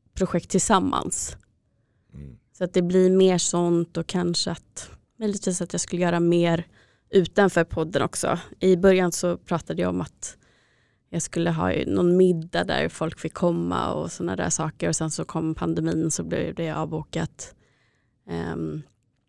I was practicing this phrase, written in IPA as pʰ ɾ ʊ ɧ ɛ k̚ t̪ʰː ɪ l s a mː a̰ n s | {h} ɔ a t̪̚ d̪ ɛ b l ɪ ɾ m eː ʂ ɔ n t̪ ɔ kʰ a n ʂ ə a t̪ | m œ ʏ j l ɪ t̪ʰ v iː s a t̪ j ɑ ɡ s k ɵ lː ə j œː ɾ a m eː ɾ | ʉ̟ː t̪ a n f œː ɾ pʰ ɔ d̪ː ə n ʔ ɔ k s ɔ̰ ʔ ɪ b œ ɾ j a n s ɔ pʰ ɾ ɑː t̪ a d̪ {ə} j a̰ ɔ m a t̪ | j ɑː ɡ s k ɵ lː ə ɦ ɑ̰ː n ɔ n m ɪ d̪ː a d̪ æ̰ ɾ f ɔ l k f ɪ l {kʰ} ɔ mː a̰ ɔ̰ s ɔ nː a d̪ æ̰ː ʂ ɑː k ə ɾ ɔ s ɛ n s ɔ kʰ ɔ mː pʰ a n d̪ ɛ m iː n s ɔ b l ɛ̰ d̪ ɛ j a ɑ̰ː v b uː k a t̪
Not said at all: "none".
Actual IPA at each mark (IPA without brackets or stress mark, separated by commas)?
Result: s, ə, kʰ